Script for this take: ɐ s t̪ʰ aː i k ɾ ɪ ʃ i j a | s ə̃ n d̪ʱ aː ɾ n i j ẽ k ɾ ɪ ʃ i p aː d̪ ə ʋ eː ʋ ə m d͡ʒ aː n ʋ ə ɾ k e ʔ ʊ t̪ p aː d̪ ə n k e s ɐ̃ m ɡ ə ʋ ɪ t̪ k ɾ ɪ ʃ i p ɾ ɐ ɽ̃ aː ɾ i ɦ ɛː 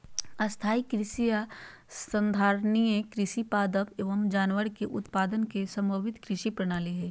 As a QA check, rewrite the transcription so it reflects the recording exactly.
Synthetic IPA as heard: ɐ s t̪ʰ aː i k ɾ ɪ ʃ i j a | s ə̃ n d̪ʱ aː ɾ n i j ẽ k ɾ ɪ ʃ i p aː d̪ ə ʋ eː ʋ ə m d͡ʒ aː n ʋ ə ɾ k e ʔ ʊ t̪ p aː d̪ ə n k e s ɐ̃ m b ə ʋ ɪ t̪ k ɾ ɪ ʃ i p ɾ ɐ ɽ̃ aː l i ɦ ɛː